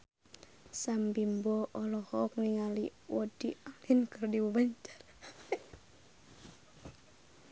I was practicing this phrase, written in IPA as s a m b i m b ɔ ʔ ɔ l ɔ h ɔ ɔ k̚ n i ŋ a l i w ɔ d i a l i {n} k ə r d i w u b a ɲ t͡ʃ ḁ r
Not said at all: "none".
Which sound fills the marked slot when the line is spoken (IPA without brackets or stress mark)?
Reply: n